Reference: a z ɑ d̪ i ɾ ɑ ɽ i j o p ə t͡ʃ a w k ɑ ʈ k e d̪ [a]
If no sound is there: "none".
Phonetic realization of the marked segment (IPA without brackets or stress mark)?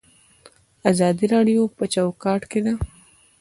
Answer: a